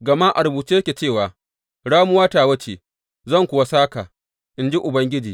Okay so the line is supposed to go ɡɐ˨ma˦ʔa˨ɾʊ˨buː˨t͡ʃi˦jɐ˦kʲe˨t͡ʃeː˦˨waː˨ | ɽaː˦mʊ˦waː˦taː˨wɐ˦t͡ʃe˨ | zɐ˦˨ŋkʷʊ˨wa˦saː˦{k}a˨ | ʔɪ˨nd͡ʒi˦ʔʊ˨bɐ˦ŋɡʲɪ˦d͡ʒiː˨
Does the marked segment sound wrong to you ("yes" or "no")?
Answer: no